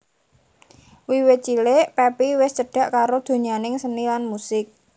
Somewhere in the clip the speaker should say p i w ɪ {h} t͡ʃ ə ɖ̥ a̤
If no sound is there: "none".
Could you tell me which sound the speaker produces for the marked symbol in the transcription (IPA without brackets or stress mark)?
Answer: s